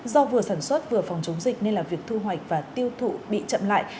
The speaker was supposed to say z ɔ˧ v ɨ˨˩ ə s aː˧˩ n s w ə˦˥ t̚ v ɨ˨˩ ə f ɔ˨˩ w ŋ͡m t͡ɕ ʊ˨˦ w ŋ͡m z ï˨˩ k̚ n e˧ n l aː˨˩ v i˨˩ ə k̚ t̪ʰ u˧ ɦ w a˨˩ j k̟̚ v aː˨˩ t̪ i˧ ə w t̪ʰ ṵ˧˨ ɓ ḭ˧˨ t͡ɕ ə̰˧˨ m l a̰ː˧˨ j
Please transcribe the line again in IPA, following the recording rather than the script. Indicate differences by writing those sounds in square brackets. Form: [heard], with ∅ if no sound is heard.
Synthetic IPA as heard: z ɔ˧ v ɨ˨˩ ə s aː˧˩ n s w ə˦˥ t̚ v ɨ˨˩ ə f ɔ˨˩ w ŋ͡m t͡ɕ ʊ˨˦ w ŋ͡m z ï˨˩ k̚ n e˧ n l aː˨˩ v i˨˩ ə k̚ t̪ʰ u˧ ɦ w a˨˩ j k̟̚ v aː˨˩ t̪ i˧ ə w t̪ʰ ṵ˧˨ ɓ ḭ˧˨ t͡ɕ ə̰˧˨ m l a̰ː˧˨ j

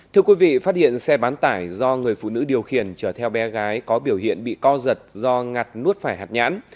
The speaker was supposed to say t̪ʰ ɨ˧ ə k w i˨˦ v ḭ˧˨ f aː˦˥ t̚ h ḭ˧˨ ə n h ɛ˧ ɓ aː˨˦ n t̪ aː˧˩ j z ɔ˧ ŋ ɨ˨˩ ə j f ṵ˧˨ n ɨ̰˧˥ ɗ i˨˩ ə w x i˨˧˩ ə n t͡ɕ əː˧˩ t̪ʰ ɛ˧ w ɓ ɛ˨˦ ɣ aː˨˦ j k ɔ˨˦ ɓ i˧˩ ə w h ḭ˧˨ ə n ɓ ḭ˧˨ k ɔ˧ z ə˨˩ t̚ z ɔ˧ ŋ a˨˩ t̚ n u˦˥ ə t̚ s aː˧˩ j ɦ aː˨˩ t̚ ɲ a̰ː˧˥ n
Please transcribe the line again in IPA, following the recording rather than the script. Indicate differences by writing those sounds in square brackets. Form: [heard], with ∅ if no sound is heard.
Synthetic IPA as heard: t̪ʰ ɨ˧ ə k w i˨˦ v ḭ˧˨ f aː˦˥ t̚ h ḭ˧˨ ə n [s] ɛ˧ ɓ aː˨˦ n t̪ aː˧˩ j z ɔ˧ ŋ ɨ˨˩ ə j f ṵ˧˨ n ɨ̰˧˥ ɗ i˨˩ ə w x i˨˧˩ ə n t͡ɕ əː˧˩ t̪ʰ ɛ˧ w ɓ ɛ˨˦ ɣ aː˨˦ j k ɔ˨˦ ɓ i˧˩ ə w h ḭ˧˨ ə n ɓ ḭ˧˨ k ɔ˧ z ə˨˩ t̚ z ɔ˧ ŋ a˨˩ t̚ n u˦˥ ə t̚ [f] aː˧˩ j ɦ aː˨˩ t̚ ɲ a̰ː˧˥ n

